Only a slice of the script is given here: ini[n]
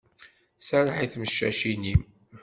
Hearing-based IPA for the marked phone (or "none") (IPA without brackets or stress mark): m